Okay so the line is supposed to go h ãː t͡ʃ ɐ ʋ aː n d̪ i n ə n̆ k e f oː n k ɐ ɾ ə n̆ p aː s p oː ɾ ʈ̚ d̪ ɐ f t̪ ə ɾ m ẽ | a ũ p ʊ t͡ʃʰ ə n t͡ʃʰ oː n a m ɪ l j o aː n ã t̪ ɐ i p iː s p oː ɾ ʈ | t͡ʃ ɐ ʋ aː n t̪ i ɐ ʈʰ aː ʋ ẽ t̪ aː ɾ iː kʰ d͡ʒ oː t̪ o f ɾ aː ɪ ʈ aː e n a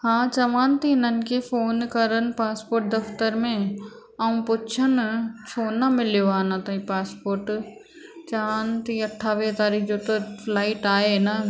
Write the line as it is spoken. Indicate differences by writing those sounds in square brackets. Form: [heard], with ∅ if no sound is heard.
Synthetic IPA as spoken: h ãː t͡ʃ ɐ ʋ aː n [t̪] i n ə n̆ k e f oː n k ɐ ɾ ə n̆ p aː s p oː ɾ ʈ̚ d̪ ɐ f t̪ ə ɾ m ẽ | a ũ p ʊ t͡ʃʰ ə n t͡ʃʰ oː n a m ɪ l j o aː n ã t̪ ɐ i p [aː] s p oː ɾ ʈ | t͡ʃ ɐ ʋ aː n t̪ i ɐ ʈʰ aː ʋ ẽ t̪ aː ɾ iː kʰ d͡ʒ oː t̪ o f [l] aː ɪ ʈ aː e n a